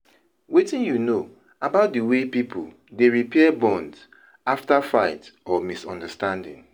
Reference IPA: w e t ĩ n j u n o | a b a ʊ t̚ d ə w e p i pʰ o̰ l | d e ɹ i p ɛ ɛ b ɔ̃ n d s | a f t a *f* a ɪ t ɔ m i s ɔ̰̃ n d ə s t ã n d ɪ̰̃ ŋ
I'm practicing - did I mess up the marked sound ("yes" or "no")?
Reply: no